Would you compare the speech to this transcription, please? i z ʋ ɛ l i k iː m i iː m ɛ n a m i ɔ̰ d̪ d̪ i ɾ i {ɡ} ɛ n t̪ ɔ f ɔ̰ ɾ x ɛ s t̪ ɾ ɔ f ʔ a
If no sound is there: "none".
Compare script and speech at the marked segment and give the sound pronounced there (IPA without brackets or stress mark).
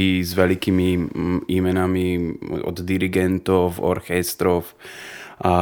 ɡ